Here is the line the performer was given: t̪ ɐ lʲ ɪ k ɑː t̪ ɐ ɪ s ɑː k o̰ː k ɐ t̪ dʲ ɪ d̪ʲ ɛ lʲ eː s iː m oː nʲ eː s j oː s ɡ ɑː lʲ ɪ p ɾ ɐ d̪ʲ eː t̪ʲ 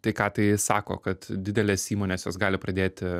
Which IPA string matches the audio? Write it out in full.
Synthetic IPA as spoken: t̪ ɐ ɪ k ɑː t̪ ɐ ɪ s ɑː k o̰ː k ɐ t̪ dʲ ɪ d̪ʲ ɛ lʲ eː s iː m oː nʲ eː s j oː s ɡ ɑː lʲ ɪ p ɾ ɐ d̪ʲ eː t̪ʲ

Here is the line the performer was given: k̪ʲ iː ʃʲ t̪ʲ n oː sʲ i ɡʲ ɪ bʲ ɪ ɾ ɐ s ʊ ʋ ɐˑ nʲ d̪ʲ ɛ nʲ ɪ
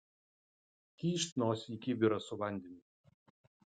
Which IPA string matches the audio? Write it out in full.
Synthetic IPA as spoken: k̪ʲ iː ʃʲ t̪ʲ n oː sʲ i kʲ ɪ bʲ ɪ ɾ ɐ s ʊ ʋ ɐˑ nʲ d̪ʲ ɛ nʲ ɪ

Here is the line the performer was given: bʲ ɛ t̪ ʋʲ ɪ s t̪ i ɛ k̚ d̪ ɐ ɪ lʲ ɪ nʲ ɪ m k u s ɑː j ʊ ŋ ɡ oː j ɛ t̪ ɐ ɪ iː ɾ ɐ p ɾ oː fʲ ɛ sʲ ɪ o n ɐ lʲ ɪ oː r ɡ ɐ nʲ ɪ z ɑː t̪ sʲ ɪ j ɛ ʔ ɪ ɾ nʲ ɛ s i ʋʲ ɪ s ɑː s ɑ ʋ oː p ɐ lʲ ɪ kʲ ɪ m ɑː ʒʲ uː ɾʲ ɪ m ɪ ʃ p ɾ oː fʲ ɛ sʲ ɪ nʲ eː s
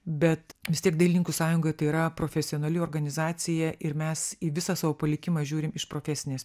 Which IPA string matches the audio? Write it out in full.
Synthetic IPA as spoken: bʲ ɛ t̪ ʋʲ ɪ s t̪ i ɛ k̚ d̪ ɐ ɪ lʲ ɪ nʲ ɪ ŋ k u s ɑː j ʊ ŋ ɡ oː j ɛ t̪ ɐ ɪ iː ɾ ɐ p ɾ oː fʲ ɛ sʲ ɪ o n ɐ lʲ ɪ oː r ɡ ɐ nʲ ɪ z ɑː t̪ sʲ ɪ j ɛ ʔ ɪ ɾ mʲ ɛ s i ʋʲ ɪ s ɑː s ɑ ʋ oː p ɐ lʲ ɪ kʲ ɪ m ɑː ʒʲ uː ɾʲ ɪ m ɪ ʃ p ɾ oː fʲ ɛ sʲ ɪ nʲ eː s

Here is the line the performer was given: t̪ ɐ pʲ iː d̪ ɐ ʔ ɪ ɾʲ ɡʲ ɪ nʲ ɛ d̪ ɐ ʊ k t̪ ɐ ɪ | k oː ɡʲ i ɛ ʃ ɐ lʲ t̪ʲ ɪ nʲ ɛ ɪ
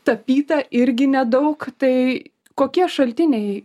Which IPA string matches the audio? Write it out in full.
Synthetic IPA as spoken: t̪ ɐ pʲ iː t̪ ɐ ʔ ɪ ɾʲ ɡʲ ɪ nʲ ɛ d̪ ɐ ʊ k t̪ ɐ ɪ | k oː kʲ i ɛ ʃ ɐ lʲ t̪ʲ ɪ nʲ ɛ ɪ

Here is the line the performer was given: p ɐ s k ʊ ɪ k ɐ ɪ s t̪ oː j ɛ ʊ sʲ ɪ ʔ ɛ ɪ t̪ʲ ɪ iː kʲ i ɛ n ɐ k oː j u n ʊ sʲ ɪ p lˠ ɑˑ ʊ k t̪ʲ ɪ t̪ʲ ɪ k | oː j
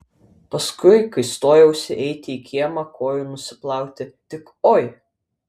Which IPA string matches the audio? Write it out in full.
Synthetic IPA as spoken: p ɐ s k ʊ ɪ k ɐ ɪ s t̪ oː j ɛ ʊ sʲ ɪ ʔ ɛ ɪ t̪ʲ ɪ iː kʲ i ɛ m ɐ k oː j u n ʊ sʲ ɪ p lˠ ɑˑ ʊ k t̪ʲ ɪ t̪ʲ ɪ k | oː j

